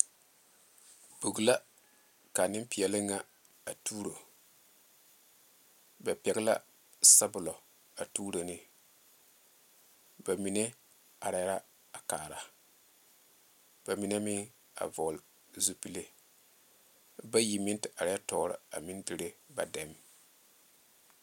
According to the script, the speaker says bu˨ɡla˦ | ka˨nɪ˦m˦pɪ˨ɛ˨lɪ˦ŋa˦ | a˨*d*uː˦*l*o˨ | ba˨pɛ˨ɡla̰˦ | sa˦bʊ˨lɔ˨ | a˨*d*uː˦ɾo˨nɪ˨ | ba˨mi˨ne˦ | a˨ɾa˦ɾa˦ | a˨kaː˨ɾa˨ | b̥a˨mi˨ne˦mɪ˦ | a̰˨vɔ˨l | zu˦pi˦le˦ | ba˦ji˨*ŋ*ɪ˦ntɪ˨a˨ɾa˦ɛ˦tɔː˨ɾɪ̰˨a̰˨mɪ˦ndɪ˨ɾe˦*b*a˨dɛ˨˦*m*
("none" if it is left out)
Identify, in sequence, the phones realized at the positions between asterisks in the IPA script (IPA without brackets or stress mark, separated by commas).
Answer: t, ɾ, t, m, b, m